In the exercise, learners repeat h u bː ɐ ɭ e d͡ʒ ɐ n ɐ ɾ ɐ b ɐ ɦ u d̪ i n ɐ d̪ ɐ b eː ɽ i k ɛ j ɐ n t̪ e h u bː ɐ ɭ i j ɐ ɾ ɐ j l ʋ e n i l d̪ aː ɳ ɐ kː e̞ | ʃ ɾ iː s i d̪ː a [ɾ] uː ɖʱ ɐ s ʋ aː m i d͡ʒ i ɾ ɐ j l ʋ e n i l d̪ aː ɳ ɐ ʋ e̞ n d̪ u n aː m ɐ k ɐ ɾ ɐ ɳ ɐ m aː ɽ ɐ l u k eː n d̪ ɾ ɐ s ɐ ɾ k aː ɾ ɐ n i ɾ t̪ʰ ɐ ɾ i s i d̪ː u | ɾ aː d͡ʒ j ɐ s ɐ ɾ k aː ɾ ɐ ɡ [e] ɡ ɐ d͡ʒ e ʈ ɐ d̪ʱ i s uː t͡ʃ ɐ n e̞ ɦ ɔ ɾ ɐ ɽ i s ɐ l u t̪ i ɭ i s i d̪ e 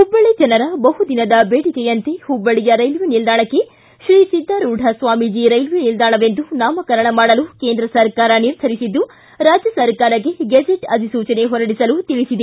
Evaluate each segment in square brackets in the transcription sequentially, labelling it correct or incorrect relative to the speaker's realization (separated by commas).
correct, correct